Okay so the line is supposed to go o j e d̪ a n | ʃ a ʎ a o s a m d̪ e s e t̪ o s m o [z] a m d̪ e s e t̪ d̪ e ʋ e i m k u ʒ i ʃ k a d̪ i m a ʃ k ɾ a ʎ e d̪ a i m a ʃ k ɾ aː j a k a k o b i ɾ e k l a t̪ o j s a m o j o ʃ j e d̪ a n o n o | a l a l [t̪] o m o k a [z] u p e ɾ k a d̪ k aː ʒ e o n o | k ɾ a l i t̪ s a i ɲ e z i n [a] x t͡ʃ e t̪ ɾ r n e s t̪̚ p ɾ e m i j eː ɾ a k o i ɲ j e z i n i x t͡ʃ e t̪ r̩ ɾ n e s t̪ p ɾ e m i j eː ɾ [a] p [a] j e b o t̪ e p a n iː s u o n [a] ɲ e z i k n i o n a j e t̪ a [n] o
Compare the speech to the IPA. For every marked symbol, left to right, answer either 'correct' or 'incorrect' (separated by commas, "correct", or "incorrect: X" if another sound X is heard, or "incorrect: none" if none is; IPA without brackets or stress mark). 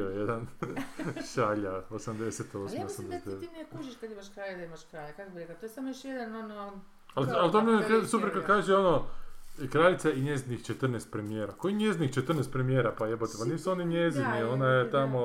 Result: incorrect: s, correct, incorrect: s, incorrect: i, correct, correct, incorrect: i, incorrect: m